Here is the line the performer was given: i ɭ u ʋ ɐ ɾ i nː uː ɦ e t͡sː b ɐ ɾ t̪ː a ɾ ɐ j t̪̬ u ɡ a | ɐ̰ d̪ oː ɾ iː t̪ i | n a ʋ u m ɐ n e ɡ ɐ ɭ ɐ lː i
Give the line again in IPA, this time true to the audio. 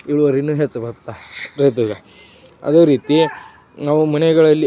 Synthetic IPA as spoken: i ɭ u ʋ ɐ ɾ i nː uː ɦ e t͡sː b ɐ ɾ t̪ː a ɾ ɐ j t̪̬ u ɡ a | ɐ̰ d̪ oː ɾ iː t̪ i | n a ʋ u m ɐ n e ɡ ɐ ɭ ɐ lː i